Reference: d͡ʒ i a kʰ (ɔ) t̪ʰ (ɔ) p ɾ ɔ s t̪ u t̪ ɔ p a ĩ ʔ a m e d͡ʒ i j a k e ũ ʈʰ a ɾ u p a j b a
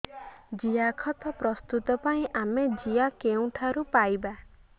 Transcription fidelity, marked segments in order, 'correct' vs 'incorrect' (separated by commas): correct, correct